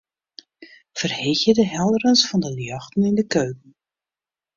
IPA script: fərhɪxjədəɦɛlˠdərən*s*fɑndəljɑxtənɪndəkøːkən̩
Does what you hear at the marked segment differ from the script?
no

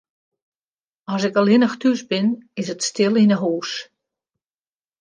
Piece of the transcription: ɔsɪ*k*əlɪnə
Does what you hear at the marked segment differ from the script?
no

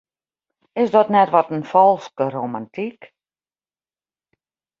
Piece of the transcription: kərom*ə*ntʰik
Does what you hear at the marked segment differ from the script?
yes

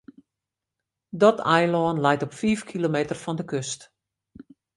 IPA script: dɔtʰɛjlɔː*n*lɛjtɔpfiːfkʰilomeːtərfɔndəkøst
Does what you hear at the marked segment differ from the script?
no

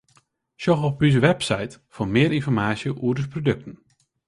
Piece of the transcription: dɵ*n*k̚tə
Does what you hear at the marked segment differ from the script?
yes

